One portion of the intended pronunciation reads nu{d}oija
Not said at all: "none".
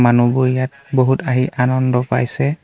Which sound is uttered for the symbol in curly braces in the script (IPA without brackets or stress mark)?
b